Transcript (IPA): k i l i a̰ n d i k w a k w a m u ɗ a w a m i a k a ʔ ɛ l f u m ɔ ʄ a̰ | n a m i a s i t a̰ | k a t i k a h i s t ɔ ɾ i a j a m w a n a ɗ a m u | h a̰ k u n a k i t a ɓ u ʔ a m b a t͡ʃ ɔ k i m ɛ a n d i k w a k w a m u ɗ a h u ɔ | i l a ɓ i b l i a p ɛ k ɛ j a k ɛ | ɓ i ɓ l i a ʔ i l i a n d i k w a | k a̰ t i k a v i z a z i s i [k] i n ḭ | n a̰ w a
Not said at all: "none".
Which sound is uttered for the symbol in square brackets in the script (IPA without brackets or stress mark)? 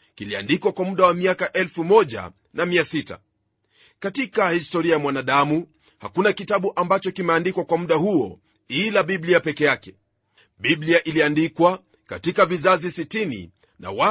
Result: t